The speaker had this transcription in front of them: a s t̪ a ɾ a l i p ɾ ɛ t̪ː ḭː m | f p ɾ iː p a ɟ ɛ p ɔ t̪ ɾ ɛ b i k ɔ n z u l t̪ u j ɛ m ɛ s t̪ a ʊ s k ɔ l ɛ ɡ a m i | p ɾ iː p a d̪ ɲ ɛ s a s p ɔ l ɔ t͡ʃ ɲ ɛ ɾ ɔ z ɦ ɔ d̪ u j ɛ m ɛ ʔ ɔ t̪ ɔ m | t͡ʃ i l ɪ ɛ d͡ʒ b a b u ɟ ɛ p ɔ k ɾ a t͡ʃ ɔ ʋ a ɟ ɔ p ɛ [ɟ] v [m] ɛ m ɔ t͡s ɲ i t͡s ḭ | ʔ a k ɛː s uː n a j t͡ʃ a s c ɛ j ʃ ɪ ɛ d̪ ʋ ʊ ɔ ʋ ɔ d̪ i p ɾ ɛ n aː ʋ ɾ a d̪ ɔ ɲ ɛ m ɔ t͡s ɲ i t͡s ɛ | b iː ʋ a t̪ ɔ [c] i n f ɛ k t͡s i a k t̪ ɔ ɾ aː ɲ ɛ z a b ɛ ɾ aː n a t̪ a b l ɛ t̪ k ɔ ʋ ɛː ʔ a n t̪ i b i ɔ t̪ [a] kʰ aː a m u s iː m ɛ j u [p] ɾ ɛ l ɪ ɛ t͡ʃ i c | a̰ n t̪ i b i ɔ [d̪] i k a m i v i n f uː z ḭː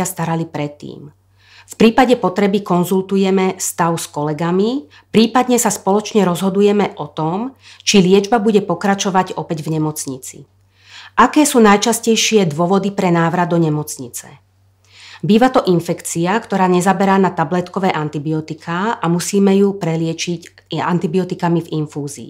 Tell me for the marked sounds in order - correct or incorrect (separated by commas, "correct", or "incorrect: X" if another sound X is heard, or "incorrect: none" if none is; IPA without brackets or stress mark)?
correct, incorrect: ɲ, incorrect: ʔ, incorrect: i, correct, incorrect: t̪